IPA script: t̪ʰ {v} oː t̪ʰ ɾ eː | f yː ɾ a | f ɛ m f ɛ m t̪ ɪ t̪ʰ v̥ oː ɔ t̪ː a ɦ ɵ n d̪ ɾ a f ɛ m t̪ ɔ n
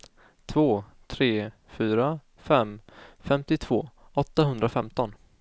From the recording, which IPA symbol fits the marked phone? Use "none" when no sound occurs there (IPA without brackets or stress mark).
v